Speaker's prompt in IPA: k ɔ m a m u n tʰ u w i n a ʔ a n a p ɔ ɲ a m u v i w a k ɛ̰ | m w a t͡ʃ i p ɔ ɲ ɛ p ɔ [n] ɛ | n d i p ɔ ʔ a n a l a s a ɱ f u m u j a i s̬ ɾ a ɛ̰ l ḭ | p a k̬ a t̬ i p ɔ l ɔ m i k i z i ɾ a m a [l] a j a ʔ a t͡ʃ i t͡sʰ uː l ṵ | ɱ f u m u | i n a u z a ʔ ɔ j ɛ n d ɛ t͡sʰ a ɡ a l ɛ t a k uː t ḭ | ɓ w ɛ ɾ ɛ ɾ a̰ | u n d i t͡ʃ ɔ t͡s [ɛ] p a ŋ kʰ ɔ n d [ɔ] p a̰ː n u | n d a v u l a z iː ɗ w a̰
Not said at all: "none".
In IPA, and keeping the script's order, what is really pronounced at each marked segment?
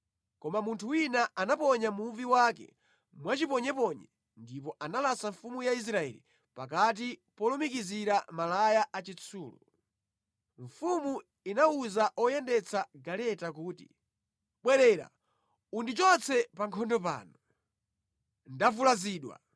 ɲ, l, ɛ, ɔ

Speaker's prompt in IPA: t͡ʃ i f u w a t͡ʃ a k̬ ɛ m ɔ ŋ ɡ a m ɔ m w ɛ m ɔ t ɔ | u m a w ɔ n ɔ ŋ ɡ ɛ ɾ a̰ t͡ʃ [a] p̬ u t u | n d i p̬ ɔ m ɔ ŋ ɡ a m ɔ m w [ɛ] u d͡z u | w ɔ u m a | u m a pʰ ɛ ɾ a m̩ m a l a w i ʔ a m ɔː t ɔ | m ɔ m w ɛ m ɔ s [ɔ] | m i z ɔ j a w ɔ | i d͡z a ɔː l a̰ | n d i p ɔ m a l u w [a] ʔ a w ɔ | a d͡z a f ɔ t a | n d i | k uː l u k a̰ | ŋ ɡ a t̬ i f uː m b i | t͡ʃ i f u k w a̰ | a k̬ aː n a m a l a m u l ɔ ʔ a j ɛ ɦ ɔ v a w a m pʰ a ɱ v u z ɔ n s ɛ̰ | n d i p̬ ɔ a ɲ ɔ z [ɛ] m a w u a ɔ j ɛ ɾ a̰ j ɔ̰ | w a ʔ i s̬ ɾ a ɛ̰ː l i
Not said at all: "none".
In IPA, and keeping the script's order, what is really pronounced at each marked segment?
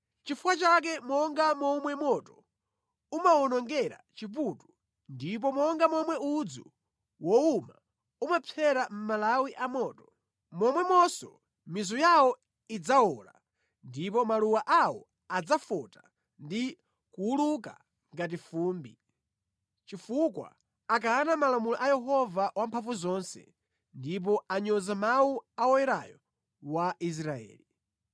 i, ɛ, ɔ, a, a

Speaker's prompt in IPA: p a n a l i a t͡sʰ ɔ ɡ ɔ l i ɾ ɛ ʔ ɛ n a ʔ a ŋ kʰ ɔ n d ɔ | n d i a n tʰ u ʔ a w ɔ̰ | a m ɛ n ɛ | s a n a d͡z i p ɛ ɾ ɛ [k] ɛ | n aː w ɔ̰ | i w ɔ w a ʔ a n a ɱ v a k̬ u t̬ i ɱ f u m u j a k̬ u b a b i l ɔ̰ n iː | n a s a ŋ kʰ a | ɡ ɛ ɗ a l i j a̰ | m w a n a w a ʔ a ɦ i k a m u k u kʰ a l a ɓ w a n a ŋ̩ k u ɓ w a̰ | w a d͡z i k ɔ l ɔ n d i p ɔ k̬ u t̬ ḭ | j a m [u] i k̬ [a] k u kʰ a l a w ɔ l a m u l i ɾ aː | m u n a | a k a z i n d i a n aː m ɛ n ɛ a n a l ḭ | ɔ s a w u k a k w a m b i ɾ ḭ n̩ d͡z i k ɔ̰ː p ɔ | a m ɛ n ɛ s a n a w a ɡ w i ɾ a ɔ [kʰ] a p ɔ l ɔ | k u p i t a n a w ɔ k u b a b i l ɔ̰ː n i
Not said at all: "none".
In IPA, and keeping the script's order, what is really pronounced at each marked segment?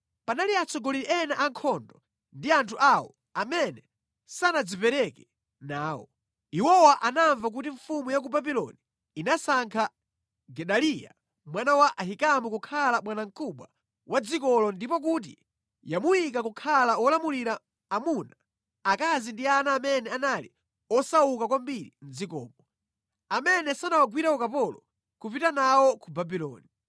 k, u, a, k

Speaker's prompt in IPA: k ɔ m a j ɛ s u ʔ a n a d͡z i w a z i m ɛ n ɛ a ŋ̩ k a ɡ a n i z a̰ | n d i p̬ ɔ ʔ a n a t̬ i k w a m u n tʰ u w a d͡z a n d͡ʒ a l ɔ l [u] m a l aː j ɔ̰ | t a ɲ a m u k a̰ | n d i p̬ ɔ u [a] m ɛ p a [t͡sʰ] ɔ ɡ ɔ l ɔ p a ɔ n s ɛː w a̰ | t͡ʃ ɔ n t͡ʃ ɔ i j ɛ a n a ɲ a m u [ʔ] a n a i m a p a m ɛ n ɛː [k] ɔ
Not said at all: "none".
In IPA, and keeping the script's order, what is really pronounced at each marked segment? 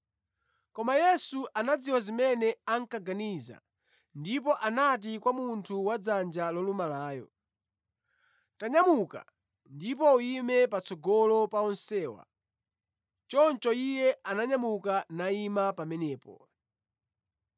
u, i, t͡s, k, p

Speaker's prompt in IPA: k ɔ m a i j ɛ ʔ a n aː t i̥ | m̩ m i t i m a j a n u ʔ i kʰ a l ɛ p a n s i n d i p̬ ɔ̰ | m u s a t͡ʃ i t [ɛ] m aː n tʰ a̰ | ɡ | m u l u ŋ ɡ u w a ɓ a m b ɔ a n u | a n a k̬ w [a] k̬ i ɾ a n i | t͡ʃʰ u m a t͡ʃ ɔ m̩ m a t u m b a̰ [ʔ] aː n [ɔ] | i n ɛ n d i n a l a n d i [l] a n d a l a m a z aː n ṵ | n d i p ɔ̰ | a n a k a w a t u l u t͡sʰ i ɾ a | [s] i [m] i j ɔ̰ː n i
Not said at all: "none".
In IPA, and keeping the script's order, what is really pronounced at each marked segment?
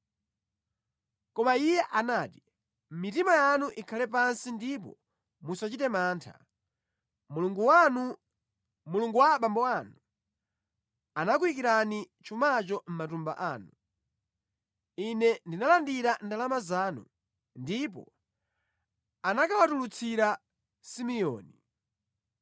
ɛ, i, ʔ, u, ɾ, s, m

